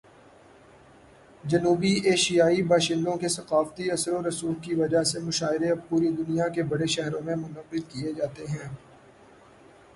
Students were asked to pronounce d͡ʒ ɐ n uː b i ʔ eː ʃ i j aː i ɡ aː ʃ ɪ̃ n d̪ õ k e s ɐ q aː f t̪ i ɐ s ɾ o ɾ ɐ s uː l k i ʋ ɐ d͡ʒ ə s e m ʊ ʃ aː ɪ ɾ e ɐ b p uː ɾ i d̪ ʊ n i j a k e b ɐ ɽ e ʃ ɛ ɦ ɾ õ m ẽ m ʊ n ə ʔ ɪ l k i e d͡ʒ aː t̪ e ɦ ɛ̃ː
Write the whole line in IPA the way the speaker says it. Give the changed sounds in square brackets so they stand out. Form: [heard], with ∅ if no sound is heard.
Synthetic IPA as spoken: d͡ʒ ɐ n uː b i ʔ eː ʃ i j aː i [b] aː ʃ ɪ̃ n d̪ õ k e s ɐ q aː f t̪ i ɐ s ɾ o ɾ ɐ s uː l k i ʋ ɐ d͡ʒ [a] s e m ʊ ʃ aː ɪ ɾ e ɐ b p uː ɾ i d̪ ʊ n i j a k e b ɐ ɽ e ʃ ɛ ɦ ɾ õ m ẽ m ʊ n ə [q] ɪ l k i e d͡ʒ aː t̪ e ɦ ɛ̃ː